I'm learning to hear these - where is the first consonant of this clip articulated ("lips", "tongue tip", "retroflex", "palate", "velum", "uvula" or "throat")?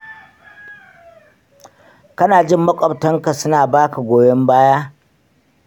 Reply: velum